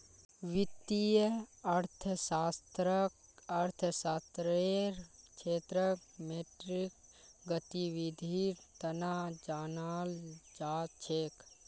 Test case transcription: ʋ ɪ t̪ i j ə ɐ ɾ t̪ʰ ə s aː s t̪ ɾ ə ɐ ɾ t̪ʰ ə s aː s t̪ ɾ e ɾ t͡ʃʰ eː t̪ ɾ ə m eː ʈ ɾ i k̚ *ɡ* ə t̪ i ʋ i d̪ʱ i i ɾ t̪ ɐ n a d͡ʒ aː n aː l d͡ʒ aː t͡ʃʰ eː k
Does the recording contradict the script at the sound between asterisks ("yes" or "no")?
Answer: no